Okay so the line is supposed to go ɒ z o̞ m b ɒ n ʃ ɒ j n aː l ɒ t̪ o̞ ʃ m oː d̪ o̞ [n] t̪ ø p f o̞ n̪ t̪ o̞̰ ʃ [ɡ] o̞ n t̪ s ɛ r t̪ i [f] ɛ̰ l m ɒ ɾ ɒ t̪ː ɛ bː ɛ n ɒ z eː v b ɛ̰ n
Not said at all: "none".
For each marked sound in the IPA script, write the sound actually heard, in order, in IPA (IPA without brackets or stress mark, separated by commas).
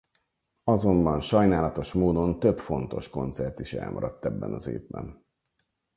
n, k, ʃ